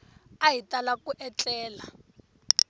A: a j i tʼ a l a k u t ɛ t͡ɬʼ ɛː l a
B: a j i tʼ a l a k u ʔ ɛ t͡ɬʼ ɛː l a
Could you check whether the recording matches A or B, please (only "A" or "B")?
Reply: B